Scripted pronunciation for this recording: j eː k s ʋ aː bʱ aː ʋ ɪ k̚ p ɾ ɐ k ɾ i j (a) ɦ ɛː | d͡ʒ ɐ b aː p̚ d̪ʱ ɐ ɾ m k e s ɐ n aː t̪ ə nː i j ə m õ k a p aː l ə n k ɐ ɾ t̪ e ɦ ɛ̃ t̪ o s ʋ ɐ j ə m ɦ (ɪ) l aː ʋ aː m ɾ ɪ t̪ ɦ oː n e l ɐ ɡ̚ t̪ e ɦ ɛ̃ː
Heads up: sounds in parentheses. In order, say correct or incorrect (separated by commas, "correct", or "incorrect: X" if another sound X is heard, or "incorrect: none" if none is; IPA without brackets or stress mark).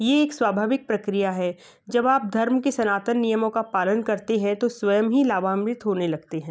correct, incorrect: i